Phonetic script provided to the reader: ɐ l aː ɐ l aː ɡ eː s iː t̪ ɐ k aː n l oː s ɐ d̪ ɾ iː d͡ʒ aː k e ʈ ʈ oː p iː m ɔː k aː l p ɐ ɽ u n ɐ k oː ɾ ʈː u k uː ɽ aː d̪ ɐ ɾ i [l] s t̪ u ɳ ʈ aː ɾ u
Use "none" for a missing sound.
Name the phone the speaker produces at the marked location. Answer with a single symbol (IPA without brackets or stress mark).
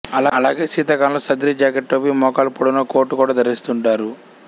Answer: none